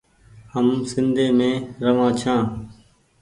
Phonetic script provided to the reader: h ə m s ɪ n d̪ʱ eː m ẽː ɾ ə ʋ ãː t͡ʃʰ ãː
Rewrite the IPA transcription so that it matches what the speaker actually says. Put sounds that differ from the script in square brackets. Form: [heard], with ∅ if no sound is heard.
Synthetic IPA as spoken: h ə m s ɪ n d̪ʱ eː m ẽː ɾ ə ʋ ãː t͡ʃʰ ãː